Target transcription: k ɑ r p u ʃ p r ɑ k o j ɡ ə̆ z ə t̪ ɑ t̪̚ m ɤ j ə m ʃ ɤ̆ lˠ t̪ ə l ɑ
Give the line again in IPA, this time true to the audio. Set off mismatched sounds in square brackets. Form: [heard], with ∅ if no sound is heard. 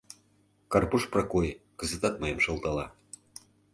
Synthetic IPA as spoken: k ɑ r p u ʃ p r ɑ k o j [k] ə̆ z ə t̪ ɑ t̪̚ m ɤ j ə m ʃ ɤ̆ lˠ t̪ [ɑ] l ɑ